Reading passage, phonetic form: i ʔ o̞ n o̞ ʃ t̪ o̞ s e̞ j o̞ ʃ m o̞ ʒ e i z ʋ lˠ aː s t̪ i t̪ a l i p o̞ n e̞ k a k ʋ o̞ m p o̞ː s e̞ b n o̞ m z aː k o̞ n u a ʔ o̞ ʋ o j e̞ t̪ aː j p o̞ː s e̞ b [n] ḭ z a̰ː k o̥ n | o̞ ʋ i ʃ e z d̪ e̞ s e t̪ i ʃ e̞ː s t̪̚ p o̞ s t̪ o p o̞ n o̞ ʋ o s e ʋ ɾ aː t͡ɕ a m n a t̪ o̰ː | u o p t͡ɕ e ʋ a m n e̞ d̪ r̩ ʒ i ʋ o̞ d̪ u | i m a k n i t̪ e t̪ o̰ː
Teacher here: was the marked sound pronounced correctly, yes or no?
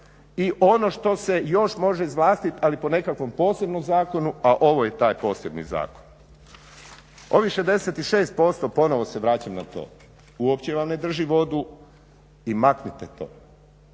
yes